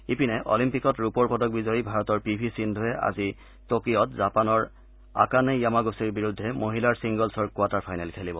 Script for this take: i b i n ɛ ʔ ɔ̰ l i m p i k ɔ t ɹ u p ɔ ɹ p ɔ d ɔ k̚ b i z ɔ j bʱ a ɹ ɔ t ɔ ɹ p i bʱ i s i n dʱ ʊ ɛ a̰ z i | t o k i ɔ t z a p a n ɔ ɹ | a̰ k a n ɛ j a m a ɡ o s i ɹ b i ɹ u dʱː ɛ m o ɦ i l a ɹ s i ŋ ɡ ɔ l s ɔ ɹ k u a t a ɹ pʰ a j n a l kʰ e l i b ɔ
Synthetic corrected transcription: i p i n ɛ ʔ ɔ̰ l i m p i k ɔ t ɹ u p ɔ ɹ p ɔ d ɔ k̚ b i z ɔ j bʱ a ɹ ɔ t ɔ ɹ p i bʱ i s i n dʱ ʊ ɛ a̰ z i | t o k i ɔ t z a p a n ɔ ɹ | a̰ k a n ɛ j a m a ɡ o s i ɹ b i ɹ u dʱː ɛ m o ɦ i l a ɹ s i ŋ ɡ ɔ l s ɔ ɹ k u a t a ɹ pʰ a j n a l kʰ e l i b ɔ